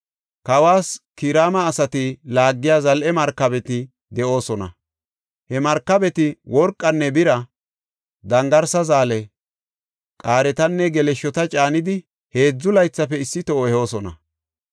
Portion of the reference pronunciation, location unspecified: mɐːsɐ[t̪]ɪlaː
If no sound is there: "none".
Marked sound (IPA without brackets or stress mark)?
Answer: t̪